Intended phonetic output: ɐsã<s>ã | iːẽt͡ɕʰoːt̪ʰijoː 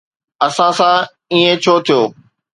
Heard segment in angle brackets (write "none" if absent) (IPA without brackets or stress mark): s